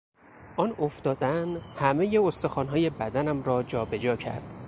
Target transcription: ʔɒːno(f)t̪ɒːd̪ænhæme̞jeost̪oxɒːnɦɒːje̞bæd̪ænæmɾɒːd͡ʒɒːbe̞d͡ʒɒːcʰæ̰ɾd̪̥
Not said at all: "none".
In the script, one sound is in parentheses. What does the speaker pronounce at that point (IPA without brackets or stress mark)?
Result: f